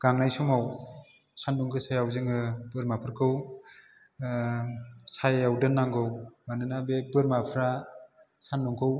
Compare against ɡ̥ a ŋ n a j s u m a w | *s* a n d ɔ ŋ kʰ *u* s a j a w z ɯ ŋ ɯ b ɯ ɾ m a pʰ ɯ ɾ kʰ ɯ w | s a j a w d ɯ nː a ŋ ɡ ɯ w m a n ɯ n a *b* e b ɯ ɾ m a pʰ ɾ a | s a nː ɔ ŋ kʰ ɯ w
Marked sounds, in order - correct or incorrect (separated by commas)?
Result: correct, incorrect, correct